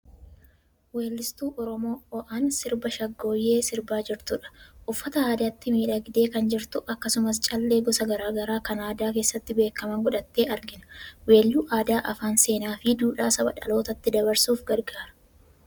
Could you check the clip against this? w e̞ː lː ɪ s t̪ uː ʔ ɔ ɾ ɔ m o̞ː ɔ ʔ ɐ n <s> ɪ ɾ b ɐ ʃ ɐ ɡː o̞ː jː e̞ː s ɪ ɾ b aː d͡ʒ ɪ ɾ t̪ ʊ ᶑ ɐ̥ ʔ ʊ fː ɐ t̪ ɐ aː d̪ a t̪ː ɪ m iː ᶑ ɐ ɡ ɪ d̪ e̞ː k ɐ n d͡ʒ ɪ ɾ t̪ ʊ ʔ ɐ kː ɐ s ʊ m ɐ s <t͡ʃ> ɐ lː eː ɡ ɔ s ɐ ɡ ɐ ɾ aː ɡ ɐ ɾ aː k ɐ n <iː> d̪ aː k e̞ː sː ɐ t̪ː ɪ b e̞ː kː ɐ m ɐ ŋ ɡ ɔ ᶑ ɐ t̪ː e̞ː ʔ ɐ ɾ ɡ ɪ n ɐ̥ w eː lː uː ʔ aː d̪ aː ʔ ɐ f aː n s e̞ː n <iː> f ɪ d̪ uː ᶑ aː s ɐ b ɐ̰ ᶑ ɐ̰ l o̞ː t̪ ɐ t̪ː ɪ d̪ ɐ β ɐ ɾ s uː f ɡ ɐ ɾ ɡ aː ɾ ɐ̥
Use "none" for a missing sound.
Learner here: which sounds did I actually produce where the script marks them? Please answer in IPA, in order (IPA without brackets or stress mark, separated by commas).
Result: s, t͡ʃʼ, aː, aː